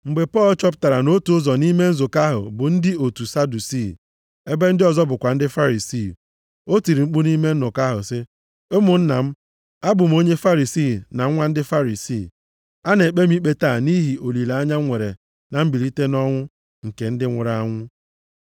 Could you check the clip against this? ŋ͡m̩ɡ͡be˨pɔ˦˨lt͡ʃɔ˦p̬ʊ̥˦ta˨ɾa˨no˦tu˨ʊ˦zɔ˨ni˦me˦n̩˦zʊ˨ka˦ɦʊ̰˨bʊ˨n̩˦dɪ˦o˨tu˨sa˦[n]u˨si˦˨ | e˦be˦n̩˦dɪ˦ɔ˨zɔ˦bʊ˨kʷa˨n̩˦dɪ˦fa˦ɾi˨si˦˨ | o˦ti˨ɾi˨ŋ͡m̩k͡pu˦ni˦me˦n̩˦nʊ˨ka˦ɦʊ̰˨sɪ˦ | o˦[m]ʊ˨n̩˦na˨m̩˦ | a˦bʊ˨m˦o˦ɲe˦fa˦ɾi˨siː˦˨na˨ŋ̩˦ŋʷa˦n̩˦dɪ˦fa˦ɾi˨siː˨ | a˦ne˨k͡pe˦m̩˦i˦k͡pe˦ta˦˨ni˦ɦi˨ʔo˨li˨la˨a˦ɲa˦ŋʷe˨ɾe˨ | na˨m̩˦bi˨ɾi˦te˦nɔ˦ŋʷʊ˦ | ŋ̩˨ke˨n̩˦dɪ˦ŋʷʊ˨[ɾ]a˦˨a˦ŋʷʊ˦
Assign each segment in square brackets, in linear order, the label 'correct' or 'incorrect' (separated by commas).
incorrect, correct, correct